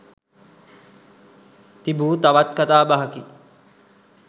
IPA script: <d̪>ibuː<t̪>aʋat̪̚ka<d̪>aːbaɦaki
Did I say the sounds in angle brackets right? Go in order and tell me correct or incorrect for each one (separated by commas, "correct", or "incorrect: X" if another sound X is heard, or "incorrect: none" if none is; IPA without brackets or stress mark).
incorrect: t̪, correct, incorrect: t̪